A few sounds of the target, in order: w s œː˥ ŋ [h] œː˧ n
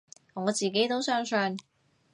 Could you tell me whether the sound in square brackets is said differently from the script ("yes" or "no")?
yes